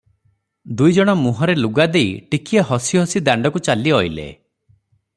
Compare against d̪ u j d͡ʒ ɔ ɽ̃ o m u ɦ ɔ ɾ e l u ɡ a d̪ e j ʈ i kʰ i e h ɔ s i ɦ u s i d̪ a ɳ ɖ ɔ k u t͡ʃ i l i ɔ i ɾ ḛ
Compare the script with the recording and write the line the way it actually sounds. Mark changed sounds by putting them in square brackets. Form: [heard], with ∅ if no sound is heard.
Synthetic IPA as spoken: d̪ u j d͡ʒ ɔ ɽ̃ [ɔ] m u ɦ ɔ ɾ e l u ɡ a d̪ e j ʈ i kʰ i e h ɔ s i ɦ [ɔ] s i d̪ a ɳ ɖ ɔ k u t͡ʃ [a] l i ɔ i [l] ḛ